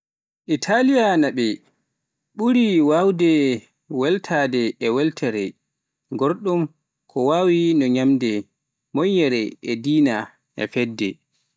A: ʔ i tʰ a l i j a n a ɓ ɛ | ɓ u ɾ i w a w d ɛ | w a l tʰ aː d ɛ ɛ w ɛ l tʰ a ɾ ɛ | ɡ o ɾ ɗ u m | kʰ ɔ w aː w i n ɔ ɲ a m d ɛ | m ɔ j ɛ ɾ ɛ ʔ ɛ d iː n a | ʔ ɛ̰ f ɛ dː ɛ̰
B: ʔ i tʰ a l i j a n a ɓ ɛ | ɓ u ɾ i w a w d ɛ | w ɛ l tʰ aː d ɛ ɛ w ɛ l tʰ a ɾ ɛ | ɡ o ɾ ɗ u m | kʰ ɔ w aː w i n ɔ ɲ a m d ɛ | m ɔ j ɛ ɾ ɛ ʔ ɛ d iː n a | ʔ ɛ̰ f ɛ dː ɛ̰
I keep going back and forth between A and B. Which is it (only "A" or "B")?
B